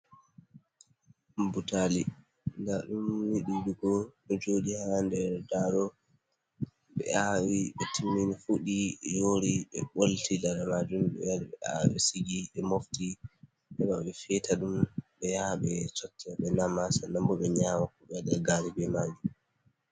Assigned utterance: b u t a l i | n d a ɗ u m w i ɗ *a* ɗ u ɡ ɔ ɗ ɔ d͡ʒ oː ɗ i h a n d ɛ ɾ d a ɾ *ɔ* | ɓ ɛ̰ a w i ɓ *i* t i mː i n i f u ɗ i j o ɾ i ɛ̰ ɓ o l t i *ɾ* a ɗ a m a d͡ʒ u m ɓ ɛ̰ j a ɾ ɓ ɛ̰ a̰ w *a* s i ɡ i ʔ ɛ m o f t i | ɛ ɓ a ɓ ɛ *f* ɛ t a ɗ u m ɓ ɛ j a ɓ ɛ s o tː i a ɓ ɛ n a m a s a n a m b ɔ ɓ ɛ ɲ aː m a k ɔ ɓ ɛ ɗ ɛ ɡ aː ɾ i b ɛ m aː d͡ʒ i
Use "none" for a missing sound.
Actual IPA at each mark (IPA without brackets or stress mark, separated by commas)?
i, ɔ, ɛ, l, ɛ, f